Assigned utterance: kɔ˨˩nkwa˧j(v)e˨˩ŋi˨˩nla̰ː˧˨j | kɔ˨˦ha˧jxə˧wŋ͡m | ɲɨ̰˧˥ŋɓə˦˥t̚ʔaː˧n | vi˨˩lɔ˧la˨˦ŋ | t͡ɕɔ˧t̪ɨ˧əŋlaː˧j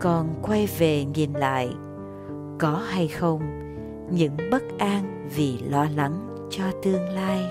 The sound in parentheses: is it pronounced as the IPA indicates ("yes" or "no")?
yes